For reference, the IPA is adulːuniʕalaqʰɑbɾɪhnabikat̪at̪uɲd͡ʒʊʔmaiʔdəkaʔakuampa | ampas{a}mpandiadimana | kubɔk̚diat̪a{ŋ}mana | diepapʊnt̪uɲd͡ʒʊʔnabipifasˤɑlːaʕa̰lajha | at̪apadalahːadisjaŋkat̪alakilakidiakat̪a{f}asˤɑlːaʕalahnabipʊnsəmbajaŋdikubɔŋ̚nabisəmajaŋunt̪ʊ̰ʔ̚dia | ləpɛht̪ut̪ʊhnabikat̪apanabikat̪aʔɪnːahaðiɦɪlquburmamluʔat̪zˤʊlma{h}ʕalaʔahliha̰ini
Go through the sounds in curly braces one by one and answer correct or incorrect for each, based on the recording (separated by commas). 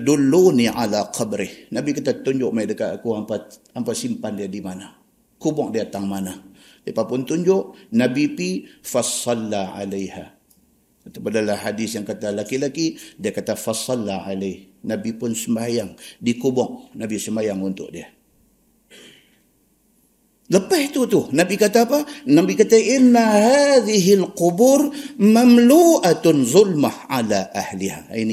incorrect, correct, correct, correct